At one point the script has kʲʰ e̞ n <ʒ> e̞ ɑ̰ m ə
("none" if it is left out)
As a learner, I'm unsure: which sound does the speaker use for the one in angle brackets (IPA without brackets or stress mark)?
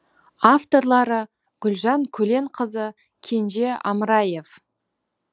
ʒ